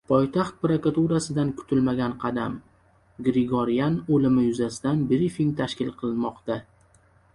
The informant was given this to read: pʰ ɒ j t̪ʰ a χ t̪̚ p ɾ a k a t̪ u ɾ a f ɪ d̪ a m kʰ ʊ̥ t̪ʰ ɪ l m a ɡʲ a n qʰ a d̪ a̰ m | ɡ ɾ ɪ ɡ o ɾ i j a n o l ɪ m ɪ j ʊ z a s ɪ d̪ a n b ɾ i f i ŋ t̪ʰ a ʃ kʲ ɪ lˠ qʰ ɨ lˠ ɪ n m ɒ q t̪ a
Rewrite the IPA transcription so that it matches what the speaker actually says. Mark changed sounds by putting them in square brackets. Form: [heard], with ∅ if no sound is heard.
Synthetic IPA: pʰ ɒ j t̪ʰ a χ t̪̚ p ɾ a k a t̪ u ɾ a [s] ɪ d̪ a [n] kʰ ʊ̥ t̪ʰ ɪ l m a ɡʲ a n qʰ [ɑ] d̪ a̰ m | ɡ ɾ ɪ ɡ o ɾ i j a n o l ɪ m ɪ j ʊ z a s ɪ d̪ a n b ɾ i f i ŋ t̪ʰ a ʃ kʲ ɪ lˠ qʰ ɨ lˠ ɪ n m ɒ q t̪ a